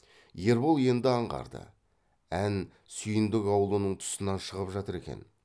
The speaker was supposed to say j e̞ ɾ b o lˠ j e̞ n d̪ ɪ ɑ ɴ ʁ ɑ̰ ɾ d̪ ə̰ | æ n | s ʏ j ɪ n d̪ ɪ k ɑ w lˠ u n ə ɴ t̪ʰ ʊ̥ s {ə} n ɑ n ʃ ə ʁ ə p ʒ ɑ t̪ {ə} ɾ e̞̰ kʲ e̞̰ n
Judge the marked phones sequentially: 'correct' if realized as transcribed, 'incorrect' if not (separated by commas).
correct, correct